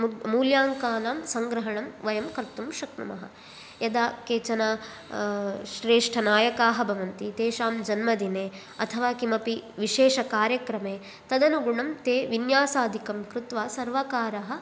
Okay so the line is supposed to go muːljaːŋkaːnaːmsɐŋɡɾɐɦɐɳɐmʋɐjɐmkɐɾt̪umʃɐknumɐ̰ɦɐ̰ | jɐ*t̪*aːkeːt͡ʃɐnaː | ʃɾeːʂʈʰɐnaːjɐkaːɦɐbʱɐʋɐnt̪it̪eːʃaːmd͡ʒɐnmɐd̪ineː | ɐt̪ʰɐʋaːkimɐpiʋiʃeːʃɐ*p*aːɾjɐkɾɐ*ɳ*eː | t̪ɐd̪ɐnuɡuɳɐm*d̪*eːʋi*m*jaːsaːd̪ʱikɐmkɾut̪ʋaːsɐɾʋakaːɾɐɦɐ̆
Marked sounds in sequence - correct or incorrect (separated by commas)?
incorrect, incorrect, incorrect, incorrect, incorrect